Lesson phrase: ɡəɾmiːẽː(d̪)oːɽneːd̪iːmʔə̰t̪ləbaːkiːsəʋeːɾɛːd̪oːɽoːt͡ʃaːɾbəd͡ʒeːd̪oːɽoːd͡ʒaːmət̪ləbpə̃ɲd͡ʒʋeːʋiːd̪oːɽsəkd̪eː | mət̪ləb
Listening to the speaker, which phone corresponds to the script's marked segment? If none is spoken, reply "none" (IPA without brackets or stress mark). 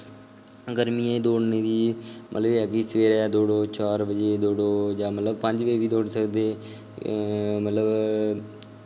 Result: d̪